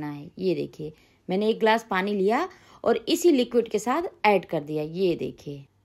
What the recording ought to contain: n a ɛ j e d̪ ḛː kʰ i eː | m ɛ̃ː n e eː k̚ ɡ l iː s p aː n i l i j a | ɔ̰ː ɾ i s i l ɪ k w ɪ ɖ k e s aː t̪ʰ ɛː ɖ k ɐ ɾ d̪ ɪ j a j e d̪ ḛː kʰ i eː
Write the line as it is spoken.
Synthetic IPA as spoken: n a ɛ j e d̪ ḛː kʰ i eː | m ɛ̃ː n e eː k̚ ɡ l aː s p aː n i l i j a | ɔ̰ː ɾ ɪ s i l ɪ k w ɪ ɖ k e s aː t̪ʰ ɛː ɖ k ɐ ɾ d̪ i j a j e d̪ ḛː kʰ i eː